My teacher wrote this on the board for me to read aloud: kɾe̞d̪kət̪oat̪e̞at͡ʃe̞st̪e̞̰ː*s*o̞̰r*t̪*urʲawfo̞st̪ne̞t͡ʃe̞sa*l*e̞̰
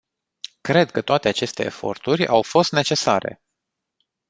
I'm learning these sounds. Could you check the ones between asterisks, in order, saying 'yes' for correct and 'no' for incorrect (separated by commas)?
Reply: no, yes, no